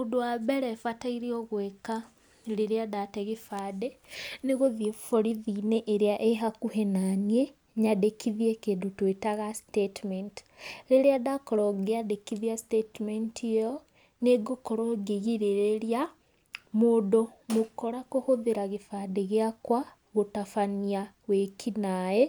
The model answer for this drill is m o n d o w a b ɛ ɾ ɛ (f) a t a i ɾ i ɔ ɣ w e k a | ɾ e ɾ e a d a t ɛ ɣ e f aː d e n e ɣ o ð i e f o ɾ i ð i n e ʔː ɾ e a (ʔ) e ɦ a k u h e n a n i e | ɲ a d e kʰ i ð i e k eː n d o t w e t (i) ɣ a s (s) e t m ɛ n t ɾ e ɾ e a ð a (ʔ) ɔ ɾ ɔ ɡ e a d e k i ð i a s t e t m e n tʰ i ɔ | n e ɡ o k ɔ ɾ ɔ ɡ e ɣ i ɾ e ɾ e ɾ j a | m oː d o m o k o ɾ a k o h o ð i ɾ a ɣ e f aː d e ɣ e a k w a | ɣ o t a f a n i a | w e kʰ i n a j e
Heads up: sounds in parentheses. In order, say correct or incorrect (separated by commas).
correct, correct, incorrect, incorrect, incorrect